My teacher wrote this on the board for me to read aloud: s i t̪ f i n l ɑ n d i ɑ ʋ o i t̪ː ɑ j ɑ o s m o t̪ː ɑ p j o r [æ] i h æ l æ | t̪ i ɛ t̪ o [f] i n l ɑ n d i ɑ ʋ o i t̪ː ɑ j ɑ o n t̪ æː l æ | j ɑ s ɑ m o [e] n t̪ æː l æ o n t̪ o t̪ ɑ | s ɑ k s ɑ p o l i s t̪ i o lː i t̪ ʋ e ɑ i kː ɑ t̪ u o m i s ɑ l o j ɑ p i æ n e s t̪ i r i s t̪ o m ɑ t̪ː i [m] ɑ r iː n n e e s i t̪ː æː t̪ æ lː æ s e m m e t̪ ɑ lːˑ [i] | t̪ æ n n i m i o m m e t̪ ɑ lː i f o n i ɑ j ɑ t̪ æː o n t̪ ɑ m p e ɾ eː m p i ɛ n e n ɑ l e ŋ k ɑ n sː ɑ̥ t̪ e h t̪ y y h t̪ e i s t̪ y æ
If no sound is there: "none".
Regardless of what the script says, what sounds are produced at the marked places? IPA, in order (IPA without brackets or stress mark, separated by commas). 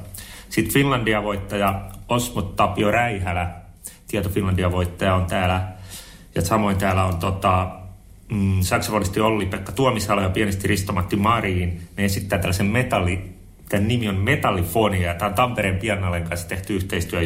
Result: æ, f, i, m, i